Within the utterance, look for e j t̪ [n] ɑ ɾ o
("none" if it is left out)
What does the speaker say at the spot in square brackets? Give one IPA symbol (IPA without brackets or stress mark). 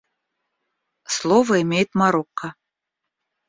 m